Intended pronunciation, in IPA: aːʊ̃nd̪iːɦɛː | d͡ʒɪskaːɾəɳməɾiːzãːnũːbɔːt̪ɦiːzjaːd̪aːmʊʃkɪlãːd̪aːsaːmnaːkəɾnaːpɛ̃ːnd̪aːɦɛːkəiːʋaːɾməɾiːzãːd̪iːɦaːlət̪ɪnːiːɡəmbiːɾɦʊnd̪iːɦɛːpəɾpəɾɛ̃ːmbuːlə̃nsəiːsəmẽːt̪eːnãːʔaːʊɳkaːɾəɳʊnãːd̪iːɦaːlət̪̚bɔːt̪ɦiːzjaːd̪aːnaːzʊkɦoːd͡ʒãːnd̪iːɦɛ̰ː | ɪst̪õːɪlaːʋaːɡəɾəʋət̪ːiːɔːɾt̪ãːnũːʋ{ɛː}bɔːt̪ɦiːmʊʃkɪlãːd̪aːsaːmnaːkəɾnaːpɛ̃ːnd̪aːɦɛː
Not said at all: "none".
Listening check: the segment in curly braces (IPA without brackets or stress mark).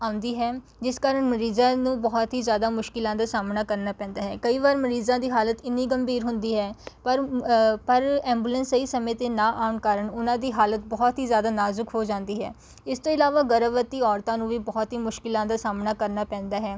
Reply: iː